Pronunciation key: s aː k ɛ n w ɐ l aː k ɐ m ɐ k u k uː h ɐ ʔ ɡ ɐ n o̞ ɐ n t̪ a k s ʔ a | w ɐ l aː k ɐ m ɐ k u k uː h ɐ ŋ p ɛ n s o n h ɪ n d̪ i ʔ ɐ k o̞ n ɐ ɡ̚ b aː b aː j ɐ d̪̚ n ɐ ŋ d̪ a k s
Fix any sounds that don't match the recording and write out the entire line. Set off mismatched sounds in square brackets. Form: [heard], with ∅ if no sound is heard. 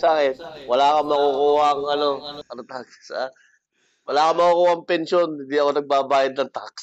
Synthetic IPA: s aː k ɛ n w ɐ l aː k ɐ m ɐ k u k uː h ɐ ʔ [ŋ] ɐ n o̞ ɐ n t̪ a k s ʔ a | w ɐ l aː k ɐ m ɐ k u k uː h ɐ ŋ p ɛ n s o n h ɪ n d̪ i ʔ ɐ k o̞ n ɐ ɡ̚ b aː b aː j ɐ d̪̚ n ɐ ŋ [t̪] a k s